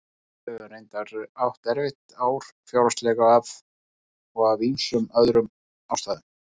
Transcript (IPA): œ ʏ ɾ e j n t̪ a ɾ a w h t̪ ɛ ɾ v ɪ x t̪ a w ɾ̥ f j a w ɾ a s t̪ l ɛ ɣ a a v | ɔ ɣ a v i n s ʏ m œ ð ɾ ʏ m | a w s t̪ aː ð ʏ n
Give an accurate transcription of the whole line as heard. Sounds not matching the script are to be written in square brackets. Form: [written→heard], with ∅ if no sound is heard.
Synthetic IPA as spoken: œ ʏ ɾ e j n t̪ a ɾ a w h t̪ ɛ ɾ v ɪ [x→h] t̪ a w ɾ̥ f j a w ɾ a s t̪ l ɛ ɣ a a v | ɔ ɣ a v i n s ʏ m œ ð ɾ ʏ m | a w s t̪ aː ð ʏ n